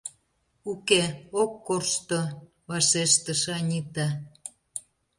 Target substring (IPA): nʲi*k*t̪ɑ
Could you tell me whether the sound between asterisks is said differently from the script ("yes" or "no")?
yes